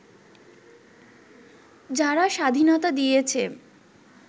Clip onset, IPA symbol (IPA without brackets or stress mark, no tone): d͡ʑ